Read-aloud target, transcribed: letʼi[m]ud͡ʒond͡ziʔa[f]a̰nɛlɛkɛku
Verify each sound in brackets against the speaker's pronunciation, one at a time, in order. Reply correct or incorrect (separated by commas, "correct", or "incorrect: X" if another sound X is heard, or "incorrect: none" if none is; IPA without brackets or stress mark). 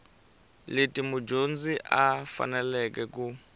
correct, correct